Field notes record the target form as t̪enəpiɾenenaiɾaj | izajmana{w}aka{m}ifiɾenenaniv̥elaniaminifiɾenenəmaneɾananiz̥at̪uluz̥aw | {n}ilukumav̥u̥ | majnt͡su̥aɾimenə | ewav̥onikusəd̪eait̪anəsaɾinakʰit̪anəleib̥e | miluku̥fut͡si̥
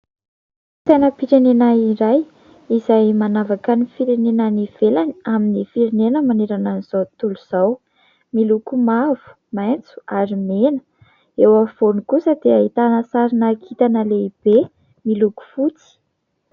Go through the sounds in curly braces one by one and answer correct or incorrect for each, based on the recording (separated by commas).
incorrect, incorrect, incorrect